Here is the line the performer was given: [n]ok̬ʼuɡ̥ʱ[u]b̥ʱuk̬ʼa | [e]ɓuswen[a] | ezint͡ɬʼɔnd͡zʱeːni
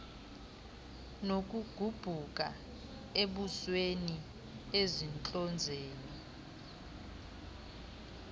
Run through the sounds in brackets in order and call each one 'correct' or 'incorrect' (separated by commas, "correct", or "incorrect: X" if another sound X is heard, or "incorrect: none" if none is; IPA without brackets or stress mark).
correct, correct, correct, incorrect: i